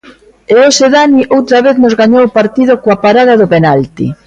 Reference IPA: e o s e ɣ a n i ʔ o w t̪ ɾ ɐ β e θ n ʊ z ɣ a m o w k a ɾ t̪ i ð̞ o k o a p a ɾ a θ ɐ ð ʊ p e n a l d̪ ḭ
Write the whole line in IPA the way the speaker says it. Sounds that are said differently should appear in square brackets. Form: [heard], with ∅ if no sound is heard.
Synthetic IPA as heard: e o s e [ð] a n i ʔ o w t̪ ɾ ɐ β e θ n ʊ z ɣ a [ɲ] o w [p] a ɾ t̪ i ð̞ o k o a p a ɾ a [ð] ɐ ð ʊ p e n a l [t̪] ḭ